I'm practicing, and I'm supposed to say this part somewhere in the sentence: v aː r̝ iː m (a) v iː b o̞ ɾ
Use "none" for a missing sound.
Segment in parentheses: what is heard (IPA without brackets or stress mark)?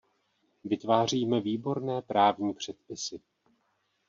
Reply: ɛ